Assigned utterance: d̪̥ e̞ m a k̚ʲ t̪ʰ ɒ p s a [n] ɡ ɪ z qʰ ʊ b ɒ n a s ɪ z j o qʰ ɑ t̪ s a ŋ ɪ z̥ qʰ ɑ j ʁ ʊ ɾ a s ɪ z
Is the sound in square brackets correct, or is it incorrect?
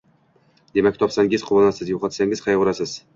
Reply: incorrect